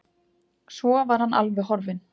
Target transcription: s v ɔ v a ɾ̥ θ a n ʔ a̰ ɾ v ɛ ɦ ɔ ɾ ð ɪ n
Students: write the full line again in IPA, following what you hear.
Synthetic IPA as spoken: s v ɔ v a ɾ̥ h a n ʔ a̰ l v ɛ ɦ ɔ ɾ v ɪ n